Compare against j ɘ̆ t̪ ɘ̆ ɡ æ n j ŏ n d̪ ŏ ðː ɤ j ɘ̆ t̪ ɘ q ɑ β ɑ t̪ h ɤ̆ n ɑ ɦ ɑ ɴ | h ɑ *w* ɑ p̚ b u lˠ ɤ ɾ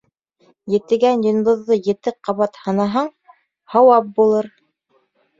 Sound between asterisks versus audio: correct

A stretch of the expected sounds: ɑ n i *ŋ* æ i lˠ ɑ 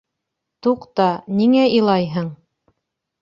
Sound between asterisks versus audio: correct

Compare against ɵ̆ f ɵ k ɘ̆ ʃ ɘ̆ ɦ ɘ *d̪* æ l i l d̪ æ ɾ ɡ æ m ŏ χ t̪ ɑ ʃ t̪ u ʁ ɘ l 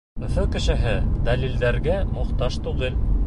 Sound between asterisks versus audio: correct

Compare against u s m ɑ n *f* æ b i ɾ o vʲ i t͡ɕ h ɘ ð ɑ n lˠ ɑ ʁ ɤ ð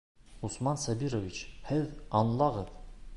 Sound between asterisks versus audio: incorrect: s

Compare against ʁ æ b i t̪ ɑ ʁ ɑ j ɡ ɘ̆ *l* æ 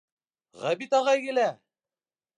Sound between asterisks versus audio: correct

